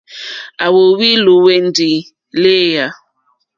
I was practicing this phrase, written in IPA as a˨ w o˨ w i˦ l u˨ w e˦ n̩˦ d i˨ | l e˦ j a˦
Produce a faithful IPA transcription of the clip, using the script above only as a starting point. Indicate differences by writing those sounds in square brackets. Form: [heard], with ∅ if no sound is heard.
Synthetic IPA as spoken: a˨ w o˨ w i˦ l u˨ w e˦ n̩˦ d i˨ | l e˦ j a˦